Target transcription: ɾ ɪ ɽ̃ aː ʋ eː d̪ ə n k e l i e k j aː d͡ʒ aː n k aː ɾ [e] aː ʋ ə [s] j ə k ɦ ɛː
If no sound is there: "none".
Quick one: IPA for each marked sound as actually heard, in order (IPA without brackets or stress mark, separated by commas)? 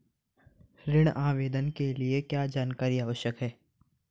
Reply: i, ʃ